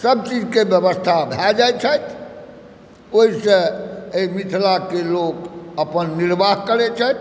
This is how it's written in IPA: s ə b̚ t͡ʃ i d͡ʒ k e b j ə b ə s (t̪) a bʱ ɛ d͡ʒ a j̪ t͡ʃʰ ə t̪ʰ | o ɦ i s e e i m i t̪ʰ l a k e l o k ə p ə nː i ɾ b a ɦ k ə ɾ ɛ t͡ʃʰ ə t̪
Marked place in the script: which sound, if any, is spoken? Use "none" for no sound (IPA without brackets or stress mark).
t̪ʰ